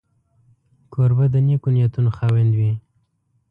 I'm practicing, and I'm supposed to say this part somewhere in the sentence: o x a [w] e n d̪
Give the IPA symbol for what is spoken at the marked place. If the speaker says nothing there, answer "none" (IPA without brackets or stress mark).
w